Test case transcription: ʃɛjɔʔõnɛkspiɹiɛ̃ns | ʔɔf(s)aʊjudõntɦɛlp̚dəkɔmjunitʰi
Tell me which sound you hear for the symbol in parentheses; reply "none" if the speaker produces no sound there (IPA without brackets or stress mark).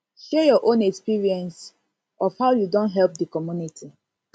h